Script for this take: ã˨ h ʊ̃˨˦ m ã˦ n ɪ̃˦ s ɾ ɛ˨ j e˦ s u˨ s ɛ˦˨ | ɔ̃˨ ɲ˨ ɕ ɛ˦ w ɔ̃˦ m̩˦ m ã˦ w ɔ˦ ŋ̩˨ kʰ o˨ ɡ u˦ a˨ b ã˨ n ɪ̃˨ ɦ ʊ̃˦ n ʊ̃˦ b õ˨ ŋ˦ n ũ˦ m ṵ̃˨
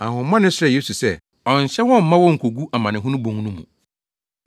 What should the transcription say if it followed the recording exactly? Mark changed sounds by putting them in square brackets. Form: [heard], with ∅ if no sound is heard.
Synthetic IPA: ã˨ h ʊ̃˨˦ m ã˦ n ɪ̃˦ s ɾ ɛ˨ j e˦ s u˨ s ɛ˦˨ | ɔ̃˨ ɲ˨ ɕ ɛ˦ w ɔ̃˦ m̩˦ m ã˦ w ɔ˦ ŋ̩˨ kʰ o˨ ɡ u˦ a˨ [m] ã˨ n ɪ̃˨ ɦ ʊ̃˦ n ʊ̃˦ b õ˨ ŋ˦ n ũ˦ m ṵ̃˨